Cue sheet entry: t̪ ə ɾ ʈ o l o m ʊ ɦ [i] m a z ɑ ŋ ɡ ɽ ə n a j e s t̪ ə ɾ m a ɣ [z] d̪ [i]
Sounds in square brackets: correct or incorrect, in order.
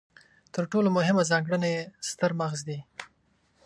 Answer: incorrect, correct, correct

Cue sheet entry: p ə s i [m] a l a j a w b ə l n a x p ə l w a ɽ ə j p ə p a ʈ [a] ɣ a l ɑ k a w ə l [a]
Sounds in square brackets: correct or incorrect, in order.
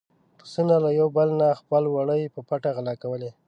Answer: incorrect, correct, incorrect

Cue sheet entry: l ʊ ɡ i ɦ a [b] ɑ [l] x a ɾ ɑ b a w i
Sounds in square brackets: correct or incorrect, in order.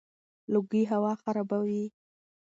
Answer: incorrect, incorrect

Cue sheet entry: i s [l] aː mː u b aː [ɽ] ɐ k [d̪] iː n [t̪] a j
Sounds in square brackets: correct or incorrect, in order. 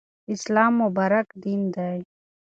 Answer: correct, incorrect, correct, incorrect

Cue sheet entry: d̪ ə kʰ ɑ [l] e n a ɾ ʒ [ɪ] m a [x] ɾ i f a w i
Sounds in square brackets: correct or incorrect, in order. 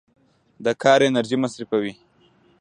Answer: incorrect, incorrect, incorrect

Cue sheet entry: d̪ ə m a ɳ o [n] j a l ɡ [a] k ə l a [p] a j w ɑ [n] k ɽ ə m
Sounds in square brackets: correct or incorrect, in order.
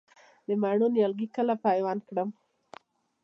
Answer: correct, incorrect, correct, correct

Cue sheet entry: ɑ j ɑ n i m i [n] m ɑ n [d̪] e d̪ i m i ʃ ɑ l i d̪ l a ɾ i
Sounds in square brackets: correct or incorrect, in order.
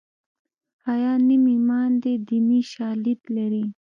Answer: incorrect, correct

